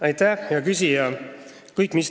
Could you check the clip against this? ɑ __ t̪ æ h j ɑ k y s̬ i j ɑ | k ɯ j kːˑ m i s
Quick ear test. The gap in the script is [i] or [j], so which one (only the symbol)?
j